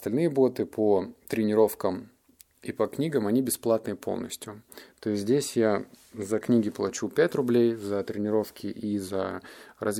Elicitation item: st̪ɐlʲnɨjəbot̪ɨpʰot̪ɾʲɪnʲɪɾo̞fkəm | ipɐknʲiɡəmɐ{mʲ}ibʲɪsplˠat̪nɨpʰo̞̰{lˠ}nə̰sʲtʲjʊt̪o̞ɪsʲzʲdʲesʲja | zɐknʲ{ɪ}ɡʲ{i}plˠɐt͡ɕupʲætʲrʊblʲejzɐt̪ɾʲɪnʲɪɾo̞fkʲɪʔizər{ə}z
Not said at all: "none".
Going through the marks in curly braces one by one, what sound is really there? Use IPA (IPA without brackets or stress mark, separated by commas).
nʲ, lˠ, i, ɪ, ɐ